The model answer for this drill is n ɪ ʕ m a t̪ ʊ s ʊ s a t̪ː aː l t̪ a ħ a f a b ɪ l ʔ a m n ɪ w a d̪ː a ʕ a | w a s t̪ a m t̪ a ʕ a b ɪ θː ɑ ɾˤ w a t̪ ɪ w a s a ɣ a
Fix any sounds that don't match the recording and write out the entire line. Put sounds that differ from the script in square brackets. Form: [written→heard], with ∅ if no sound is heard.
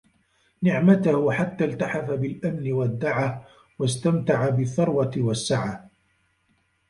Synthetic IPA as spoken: n ɪ ʕ m a t̪ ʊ [s→h] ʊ [s→ħ] a t̪ː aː l t̪ a ħ a f a b ɪ l ʔ a m n ɪ w a d̪ː a ʕ a | w a s t̪ a m t̪ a ʕ a b ɪ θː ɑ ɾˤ w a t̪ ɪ w a [s→sː] a [ɣ→ʕ] a